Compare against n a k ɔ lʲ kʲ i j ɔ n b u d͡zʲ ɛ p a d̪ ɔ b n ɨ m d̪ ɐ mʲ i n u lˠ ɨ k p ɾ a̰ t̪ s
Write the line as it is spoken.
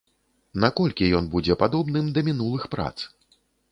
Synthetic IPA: n a k ɔ lʲ kʲ i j ɔ n b u d͡zʲ ɛ p a d̪ ɔ b n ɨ m d̪ ɐ mʲ i n u lˠ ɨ x p ɾ a̰ t̪ s